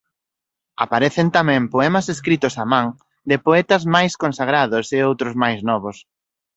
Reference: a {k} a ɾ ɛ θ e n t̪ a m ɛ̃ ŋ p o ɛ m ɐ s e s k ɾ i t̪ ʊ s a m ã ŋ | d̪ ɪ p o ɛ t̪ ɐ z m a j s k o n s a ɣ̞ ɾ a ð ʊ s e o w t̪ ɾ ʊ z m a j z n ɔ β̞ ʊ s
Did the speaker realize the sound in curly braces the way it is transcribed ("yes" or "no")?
no